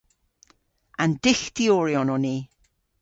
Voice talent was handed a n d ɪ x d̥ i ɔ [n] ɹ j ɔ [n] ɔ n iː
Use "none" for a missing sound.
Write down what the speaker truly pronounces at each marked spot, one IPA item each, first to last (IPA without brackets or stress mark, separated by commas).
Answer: none, n